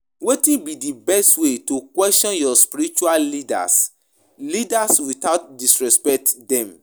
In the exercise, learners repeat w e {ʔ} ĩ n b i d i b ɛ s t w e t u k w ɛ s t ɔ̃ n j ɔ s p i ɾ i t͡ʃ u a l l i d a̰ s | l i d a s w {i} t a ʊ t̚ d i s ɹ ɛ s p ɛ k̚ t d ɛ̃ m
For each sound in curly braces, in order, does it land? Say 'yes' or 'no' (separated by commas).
no, yes